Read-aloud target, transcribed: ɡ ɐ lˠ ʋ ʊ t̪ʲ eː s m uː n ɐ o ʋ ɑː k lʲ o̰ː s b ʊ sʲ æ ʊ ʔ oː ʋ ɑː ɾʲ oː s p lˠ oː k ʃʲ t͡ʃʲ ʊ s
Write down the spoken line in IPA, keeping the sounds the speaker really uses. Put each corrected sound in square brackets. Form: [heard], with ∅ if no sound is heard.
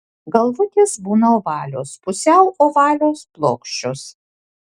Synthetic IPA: ɡ ɐ lˠ ʋ ʊ t̪ʲ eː s [b] uː n ɐ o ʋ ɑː [∅] lʲ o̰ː s [p] ʊ sʲ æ ʊ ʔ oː ʋ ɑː [lʲ] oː s p lˠ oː k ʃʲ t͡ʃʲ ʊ s